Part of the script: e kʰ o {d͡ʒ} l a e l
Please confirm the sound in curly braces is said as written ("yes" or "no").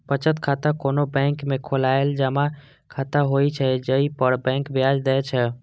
no